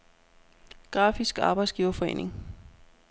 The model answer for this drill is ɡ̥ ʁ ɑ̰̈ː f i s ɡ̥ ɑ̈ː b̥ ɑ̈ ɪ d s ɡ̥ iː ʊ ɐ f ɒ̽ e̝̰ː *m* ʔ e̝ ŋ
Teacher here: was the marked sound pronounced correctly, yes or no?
no